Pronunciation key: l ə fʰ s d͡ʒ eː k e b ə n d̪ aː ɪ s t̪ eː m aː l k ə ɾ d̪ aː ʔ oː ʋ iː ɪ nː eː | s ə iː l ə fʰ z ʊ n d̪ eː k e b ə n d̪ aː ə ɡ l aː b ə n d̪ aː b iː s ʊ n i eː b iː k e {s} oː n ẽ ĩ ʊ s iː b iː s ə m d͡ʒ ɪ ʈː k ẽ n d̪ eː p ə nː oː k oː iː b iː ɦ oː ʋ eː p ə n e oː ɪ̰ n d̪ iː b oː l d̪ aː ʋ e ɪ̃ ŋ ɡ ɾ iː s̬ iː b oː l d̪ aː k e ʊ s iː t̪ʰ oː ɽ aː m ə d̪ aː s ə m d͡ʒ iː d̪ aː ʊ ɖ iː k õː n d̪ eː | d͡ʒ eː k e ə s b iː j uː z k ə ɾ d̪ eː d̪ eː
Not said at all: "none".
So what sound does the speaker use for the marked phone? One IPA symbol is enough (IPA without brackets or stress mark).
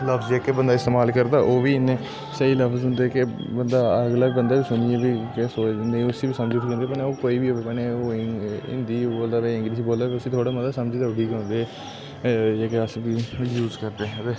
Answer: s